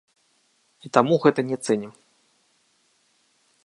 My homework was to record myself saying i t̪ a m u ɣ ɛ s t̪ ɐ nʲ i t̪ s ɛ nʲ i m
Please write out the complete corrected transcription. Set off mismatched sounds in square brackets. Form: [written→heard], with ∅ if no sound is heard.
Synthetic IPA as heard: i t̪ a m u ɣ ɛ [s→∅] t̪ ɐ nʲ [i→ɛ] t̪ s ɛ nʲ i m